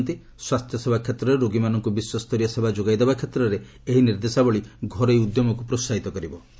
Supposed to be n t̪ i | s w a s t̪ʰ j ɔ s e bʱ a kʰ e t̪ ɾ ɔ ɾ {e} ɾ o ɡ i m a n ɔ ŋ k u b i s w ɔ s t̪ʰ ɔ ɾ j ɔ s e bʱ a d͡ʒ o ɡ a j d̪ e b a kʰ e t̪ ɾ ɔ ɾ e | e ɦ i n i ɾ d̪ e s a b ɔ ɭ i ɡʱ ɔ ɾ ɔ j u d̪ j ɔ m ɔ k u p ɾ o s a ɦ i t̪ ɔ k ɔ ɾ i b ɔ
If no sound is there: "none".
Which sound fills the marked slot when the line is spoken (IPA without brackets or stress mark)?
e